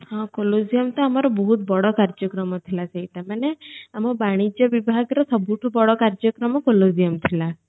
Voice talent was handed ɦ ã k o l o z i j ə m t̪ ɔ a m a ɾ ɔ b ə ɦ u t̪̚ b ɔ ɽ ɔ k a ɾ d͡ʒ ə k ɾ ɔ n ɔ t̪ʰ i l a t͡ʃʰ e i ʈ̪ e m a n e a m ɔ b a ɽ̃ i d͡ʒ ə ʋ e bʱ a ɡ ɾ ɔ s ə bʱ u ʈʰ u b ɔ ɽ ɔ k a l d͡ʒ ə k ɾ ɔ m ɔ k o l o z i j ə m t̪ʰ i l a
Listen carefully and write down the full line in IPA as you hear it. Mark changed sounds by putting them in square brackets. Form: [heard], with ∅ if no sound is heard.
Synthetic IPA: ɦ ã k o l o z i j ə m t̪ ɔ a m a ɾ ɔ b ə ɦ u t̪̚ b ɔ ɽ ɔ k a ɾ d͡ʒ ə k ɾ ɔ [m] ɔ t̪ʰ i l a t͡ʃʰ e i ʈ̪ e m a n e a m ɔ b a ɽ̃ i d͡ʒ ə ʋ [i] bʱ a ɡ ɾ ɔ s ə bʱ u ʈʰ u b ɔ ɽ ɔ k a [ɾ] d͡ʒ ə k ɾ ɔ m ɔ k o l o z i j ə m t̪ʰ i l a